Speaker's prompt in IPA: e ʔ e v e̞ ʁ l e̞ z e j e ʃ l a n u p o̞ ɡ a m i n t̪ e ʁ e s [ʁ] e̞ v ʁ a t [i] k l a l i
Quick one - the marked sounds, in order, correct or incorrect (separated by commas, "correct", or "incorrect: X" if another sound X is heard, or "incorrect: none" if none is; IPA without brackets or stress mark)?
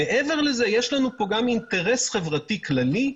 incorrect: χ, correct